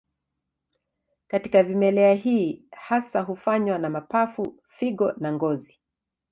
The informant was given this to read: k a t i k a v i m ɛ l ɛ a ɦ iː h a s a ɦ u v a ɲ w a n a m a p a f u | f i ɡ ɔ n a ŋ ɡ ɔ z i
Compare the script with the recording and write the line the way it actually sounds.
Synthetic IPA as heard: k a t i k a v i m ɛ l ɛ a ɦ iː h a s a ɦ u f a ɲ w a n a m a p a f u | f i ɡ ɔ n a ŋ ɡ ɔ z i